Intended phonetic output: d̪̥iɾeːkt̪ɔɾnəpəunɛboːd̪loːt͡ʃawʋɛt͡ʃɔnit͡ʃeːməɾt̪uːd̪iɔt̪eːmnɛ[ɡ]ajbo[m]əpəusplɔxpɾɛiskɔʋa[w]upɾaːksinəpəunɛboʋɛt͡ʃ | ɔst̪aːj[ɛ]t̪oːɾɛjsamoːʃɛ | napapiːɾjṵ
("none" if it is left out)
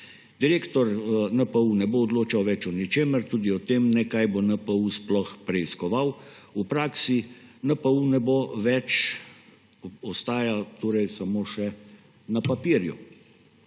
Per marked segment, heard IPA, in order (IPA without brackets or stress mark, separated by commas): k, n, w, a